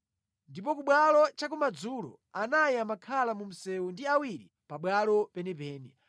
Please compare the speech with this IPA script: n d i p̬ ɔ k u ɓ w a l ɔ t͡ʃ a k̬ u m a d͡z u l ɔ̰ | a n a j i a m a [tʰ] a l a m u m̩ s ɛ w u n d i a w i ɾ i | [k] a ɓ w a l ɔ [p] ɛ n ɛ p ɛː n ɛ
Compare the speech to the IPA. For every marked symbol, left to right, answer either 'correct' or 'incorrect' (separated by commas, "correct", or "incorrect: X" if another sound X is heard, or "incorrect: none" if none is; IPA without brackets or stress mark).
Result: incorrect: kʰ, incorrect: p, correct